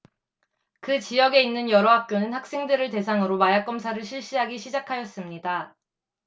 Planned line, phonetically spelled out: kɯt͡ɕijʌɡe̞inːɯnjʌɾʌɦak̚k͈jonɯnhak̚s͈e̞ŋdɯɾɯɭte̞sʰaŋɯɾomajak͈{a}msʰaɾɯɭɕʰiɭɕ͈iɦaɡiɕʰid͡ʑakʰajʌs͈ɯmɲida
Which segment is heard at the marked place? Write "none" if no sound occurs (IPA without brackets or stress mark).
ʌ